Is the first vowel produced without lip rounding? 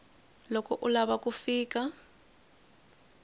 no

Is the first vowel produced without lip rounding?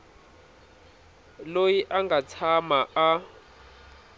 no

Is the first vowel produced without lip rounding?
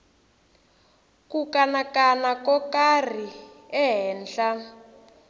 no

